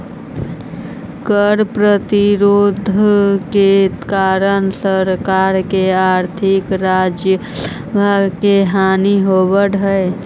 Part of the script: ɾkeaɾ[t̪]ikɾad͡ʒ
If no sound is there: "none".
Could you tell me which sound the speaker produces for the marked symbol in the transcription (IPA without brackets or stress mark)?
t̪ʰ